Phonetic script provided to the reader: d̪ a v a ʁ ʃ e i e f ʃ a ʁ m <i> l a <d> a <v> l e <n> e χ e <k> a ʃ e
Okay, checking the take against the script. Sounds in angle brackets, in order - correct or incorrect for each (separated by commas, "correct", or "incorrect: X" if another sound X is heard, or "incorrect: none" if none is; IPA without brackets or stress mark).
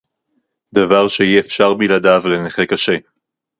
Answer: correct, correct, correct, correct, correct